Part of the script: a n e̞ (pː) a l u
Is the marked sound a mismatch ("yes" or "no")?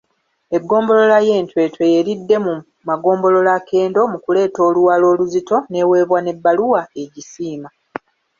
yes